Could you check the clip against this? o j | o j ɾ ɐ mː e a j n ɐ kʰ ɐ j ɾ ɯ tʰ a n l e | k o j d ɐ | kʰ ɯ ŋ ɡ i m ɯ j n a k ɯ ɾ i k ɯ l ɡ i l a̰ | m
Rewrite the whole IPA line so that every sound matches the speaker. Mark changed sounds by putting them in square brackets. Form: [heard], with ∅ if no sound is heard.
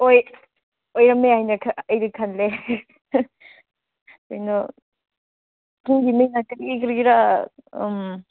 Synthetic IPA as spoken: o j | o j ɾ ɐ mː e a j n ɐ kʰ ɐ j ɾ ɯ [kʰ] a n l e | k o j [n] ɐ | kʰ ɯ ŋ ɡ i m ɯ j n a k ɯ ɾ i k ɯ [ɾ] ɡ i [ɾ] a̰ | m